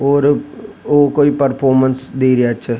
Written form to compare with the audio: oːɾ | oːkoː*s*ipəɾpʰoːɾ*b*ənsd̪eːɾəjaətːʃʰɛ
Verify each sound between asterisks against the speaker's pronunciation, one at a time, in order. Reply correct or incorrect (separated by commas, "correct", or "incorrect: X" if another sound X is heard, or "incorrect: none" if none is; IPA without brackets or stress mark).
incorrect: none, incorrect: m